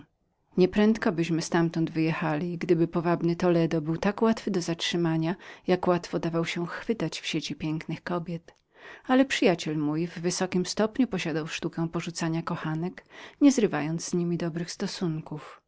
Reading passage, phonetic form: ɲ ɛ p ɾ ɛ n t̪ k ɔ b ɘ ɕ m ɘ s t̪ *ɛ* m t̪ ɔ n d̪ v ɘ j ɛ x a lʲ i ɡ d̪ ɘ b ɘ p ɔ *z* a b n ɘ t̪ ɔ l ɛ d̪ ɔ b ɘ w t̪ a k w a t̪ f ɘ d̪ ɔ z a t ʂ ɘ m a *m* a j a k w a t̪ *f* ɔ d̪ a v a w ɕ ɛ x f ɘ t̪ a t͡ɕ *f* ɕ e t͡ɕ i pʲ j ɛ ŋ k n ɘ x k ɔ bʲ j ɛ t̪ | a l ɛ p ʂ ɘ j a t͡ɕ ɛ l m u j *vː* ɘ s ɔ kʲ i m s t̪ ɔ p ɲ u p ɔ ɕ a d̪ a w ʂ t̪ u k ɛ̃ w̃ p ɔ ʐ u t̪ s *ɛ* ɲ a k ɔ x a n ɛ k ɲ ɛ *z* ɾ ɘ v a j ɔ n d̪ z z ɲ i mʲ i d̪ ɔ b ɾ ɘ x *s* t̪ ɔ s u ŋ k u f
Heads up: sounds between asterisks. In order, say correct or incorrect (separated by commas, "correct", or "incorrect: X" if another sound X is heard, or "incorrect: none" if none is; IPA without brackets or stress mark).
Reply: incorrect: a, incorrect: v, incorrect: ɲ, correct, correct, correct, incorrect: a, correct, correct